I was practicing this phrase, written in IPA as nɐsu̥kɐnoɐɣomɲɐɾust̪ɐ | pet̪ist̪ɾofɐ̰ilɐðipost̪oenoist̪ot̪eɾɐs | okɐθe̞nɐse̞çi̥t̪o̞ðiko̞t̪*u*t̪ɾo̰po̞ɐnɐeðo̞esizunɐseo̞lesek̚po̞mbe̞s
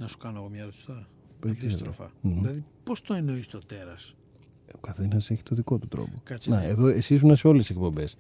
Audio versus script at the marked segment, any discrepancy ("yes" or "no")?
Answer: no